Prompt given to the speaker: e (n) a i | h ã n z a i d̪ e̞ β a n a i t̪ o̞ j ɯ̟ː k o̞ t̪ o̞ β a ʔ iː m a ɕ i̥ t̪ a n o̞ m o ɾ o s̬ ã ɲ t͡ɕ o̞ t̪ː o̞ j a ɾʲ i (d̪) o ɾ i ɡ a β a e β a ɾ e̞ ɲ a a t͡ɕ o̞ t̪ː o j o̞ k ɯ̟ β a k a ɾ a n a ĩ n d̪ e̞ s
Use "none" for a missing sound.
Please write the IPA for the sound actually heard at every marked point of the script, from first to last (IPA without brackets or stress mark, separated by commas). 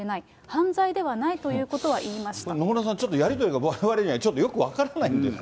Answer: n, t̪